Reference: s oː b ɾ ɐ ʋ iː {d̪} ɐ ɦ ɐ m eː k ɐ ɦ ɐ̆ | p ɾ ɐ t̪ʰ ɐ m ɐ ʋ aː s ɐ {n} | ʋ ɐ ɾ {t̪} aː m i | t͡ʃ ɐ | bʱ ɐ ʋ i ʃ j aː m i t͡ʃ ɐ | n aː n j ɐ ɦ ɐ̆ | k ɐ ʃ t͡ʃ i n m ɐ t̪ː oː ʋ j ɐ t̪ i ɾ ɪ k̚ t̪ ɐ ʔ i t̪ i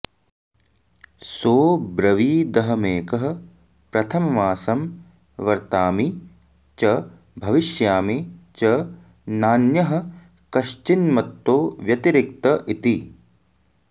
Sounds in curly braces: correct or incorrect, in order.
correct, incorrect, correct

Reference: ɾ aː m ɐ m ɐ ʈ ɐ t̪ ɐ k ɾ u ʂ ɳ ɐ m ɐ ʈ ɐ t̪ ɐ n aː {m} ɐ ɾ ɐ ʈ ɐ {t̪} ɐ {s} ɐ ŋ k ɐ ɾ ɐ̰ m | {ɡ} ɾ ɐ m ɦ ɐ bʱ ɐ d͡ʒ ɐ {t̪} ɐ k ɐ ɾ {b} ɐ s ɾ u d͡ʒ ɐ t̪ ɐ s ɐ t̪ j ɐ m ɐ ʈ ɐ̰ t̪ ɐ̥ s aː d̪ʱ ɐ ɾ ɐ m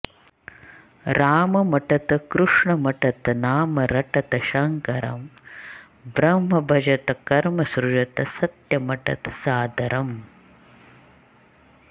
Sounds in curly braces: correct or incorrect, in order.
correct, correct, incorrect, incorrect, correct, incorrect

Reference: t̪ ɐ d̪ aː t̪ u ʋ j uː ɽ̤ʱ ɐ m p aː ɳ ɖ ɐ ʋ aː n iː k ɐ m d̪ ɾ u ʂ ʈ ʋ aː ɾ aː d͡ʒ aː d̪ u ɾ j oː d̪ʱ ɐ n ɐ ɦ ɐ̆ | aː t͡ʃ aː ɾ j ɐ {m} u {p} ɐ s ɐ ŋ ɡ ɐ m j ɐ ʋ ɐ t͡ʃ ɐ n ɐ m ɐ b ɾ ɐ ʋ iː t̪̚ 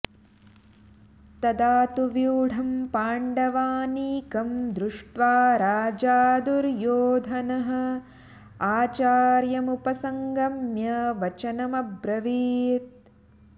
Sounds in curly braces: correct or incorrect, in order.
correct, correct

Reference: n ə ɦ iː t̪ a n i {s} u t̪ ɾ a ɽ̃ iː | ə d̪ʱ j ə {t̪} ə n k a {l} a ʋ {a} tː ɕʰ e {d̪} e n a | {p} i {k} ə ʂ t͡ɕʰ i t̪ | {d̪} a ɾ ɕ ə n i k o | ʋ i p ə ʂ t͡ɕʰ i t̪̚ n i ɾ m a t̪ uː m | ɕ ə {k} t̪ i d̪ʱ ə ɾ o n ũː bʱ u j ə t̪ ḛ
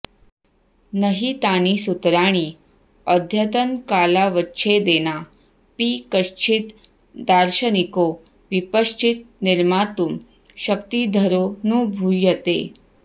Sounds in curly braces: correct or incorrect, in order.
correct, correct, correct, incorrect, correct, correct, correct, correct, correct

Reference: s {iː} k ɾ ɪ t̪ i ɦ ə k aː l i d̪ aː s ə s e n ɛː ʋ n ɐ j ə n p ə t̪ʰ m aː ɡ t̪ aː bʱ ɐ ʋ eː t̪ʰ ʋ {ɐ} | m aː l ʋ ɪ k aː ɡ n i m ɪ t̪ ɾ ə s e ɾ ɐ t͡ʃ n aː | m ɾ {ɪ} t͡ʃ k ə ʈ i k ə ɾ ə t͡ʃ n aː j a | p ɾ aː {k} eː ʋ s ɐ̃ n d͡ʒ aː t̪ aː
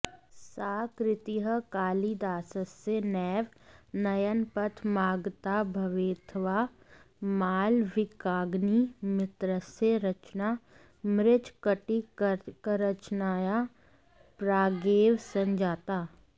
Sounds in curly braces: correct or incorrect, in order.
incorrect, incorrect, correct, incorrect

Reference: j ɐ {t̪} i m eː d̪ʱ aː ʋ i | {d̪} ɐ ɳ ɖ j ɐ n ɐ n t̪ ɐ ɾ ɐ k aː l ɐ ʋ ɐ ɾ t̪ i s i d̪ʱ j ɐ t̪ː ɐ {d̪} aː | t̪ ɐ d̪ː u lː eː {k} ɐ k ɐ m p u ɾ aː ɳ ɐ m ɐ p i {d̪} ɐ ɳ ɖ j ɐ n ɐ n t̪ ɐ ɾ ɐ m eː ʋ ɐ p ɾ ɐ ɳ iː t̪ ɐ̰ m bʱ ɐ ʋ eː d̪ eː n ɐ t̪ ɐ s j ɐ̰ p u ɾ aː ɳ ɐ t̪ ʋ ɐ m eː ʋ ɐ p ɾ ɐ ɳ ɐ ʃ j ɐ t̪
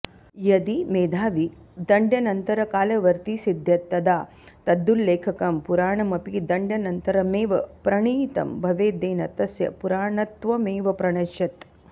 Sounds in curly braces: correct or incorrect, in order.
incorrect, correct, correct, incorrect, correct

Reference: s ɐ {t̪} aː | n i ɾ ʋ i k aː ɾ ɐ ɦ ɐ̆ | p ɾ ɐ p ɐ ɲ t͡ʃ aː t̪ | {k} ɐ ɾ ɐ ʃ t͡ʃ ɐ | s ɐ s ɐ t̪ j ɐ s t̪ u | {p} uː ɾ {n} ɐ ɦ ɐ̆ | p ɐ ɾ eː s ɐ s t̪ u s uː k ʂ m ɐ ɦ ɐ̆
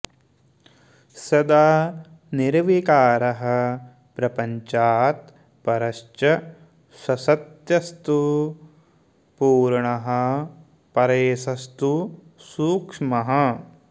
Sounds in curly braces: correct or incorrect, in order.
incorrect, incorrect, correct, incorrect

